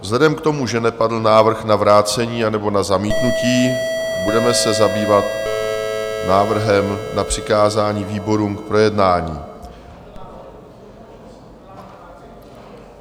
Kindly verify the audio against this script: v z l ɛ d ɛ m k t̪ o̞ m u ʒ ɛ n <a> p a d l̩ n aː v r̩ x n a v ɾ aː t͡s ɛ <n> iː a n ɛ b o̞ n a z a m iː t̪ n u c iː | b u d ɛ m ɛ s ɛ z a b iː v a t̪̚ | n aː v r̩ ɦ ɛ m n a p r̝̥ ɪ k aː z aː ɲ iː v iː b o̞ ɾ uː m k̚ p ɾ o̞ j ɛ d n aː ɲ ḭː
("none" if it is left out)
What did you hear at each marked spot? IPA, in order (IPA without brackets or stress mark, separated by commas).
ɛ, ɲ